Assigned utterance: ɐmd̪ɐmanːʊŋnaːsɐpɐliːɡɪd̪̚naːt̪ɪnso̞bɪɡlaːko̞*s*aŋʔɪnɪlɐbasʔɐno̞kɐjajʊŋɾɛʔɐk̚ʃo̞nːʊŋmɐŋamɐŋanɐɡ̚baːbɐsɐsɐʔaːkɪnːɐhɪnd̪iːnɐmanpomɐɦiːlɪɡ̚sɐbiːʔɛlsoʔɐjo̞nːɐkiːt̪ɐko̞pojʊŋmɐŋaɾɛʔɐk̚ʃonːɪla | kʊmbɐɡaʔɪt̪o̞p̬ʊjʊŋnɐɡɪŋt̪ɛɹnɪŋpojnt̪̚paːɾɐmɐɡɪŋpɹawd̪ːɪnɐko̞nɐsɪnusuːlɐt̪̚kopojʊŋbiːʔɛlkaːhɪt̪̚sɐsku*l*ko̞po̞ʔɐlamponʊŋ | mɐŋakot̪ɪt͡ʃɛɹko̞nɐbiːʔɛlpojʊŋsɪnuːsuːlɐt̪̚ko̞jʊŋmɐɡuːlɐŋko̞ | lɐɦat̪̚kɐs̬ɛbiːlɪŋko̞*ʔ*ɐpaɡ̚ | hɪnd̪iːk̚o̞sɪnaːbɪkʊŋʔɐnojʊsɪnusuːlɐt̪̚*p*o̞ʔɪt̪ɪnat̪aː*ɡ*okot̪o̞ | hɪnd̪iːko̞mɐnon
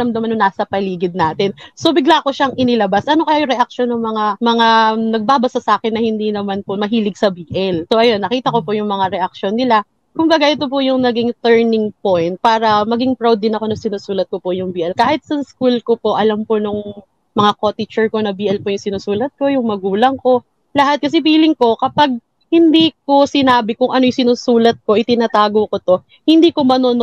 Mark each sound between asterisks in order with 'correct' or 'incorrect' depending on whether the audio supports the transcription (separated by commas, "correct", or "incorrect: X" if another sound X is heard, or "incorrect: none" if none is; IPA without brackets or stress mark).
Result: incorrect: ʃ, correct, incorrect: k, incorrect: k, correct